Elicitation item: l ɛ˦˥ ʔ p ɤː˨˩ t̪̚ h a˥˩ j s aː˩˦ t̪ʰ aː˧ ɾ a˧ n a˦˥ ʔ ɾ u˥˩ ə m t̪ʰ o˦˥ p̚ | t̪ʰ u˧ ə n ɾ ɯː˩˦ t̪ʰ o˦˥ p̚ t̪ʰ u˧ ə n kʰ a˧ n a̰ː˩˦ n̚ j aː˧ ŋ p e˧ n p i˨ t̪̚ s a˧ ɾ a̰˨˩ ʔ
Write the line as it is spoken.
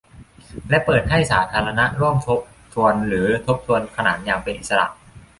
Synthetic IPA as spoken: l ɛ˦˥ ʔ p ɤː˨˩ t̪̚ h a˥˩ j s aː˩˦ t̪ʰ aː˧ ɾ a˧ n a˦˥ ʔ ɾ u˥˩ ə m t̪ʰ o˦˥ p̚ | t̪ʰ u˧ ə n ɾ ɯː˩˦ t̪ʰ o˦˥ p̚ t̪ʰ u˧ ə n kʰ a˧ n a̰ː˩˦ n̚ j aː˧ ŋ p e˧ n ʔ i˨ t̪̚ s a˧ ɾ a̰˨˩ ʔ